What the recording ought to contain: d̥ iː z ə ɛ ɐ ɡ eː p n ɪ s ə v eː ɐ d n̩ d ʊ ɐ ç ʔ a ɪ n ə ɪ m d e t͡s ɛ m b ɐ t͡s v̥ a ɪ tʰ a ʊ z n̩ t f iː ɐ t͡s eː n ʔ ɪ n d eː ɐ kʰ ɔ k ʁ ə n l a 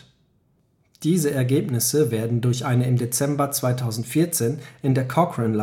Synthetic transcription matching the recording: d̥ iː z ə ɛ ɐ ɡ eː p n ɪ s ə v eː ɐ d n̩ d ʊ ɐ ç ʔ a ɪ n ə ɪ m d e t͡s ɛ m b ɐ t͡s v̥ a ɪ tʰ a ʊ z n̩ t f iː ɐ t͡s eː n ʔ ɪ n d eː ɐ kʰ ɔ k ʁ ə n l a